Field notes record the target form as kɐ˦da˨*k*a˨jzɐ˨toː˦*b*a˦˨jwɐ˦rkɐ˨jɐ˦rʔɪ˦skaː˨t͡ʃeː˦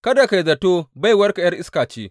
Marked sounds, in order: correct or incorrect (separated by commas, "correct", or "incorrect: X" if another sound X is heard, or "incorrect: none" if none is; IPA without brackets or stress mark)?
correct, correct